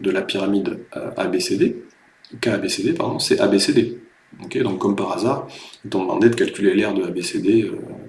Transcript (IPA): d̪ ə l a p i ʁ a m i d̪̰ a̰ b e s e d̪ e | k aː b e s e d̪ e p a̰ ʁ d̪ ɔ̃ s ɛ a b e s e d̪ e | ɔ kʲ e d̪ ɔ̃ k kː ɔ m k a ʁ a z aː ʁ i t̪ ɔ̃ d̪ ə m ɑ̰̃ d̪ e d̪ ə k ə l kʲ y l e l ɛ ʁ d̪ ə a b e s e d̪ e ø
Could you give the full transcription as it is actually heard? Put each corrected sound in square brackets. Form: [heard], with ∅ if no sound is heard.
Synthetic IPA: d̪ ə l a p i ʁ a m i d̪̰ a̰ b e s e d̪ e | k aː b e s e d̪ e p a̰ ʁ d̪ ɔ̃ s ɛ a b e s e d̪ e | ɔ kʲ e d̪ ɔ̃ k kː ɔ m [p] a ʁ a z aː ʁ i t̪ ɔ̃ d̪ ə m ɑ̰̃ d̪ e d̪ ə k [a] l kʲ y l e l ɛ ʁ d̪ ə a b e s e d̪ e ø